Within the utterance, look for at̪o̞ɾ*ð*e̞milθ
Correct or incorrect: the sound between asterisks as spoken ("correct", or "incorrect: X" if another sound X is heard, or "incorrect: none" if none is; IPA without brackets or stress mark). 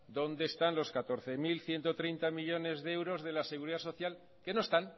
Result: incorrect: θ